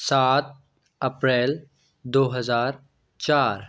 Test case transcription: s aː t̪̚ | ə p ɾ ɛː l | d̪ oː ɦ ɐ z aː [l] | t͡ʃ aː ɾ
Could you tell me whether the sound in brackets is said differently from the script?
yes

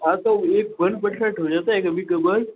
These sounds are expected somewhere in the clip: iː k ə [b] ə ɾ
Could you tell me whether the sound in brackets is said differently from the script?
no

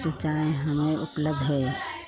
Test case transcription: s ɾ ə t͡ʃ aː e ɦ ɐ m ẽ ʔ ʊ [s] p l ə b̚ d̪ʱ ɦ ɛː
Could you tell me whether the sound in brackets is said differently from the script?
yes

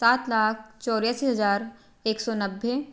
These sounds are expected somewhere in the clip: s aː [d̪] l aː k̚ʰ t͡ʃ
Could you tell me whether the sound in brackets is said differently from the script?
yes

